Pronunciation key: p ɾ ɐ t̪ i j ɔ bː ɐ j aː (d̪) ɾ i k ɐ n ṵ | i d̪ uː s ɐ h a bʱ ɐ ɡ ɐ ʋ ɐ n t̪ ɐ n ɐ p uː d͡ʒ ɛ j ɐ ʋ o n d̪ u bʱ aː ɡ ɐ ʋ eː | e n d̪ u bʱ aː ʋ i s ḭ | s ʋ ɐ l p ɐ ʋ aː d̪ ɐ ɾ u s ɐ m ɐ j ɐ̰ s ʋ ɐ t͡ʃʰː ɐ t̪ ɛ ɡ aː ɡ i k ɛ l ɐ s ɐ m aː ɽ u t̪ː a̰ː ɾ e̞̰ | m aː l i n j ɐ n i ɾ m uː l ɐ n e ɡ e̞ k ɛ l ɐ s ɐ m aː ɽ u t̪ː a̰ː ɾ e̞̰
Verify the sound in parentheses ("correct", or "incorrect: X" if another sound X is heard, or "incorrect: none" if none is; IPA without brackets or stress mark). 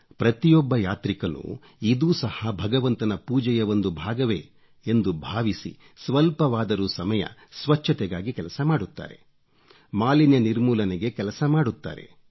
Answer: incorrect: t̪